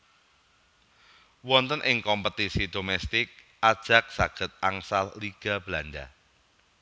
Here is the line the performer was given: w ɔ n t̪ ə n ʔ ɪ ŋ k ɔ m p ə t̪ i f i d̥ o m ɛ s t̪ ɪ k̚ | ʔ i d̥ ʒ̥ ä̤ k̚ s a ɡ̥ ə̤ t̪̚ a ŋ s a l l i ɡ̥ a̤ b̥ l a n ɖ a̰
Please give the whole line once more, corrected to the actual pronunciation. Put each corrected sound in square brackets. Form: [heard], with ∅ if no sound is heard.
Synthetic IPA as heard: w ɔ n t̪ ə n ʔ ɪ ŋ k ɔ m p ə t̪ i [s] i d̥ o m ɛ s t̪ ɪ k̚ | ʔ [a] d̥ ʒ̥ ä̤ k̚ s a ɡ̥ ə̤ t̪̚ a ŋ s a l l i ɡ̥ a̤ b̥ l a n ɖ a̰